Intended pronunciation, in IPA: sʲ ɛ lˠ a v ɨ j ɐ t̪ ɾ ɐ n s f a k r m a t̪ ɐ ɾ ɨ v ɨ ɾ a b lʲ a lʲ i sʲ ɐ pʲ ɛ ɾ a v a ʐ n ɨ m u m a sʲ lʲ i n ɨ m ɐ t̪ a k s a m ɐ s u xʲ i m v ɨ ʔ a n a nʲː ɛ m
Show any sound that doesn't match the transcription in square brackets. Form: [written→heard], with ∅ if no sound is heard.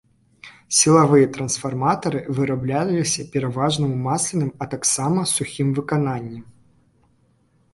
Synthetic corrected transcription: sʲ [ɛ→i] lˠ a v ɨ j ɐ t̪ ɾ ɐ n s f a [k→∅] r m a t̪ ɐ ɾ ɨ v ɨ ɾ a b lʲ a lʲ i sʲ ɐ pʲ ɛ ɾ a v a ʐ n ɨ m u m a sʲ lʲ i n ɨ m ɐ t̪ a k s a m ɐ s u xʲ i m v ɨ [ʔ→k] a n a nʲː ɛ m